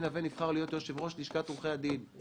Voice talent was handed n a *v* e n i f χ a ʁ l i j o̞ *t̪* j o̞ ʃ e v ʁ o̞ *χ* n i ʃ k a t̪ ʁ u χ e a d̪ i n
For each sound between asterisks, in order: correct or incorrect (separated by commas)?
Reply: correct, correct, incorrect